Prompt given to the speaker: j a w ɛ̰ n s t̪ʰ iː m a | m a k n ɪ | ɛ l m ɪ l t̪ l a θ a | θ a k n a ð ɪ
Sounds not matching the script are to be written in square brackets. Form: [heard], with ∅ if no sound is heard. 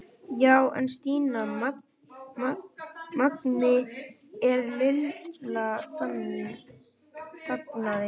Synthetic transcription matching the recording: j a w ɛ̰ n s [t̪] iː [n] a | m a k n ɪ | ɛ [ɾ] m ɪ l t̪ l a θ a | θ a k n a ð ɪ